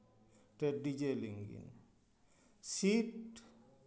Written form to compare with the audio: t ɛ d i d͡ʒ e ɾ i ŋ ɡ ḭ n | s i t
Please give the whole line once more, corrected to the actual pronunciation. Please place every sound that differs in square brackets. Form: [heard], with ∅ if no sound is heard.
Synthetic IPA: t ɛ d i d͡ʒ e [l] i ŋ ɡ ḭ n | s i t